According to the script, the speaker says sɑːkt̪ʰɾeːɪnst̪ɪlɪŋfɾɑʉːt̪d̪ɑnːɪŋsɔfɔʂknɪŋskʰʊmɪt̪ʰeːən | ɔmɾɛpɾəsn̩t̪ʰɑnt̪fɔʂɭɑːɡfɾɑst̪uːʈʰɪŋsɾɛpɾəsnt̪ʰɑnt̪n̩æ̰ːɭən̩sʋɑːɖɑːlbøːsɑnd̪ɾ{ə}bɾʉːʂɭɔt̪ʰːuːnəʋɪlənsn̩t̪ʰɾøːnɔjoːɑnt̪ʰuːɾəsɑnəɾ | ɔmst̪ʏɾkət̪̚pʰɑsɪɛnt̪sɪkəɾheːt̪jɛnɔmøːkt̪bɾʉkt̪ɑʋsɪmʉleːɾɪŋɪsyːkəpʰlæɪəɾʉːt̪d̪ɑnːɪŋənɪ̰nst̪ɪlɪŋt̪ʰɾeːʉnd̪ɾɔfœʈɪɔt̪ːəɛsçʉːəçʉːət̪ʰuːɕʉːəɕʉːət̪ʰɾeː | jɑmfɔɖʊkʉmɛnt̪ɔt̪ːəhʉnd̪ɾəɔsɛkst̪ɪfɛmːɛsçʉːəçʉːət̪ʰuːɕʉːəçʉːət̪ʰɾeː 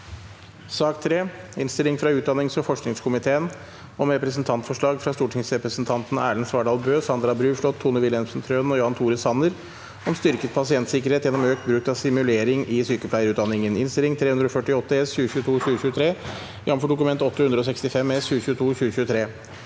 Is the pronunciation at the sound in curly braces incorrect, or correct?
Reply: incorrect